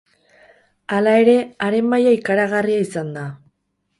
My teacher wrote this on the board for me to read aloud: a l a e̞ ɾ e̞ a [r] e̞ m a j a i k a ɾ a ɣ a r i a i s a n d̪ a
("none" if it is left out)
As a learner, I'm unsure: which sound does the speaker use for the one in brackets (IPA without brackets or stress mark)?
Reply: ɾ